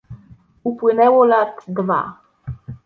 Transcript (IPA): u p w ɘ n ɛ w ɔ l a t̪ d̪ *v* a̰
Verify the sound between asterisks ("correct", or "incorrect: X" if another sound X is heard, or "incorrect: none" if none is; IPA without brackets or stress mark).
correct